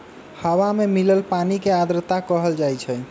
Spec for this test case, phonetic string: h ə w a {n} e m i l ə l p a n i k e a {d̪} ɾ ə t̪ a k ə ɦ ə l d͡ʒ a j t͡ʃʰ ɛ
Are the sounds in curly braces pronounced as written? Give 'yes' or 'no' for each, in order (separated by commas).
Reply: no, yes